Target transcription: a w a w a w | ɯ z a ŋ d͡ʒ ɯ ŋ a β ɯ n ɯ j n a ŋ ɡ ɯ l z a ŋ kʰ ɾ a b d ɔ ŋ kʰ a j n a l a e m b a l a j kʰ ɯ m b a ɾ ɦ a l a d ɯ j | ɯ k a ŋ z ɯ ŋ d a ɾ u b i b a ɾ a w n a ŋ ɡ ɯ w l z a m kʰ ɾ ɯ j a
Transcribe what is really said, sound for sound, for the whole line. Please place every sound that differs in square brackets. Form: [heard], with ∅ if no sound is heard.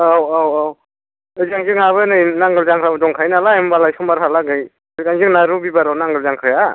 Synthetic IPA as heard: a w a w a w | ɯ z a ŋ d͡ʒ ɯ ŋ a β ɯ n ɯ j n a ŋ ɡ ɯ l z a ŋ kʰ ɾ a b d ɔ ŋ kʰ a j n a l a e m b a l a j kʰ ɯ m b a ɾ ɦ a l a [ɡ] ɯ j | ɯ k a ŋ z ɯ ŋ [n] a ɾ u b i b a ɾ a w n a ŋ ɡ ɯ [∅] l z a [ŋ] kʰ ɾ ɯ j a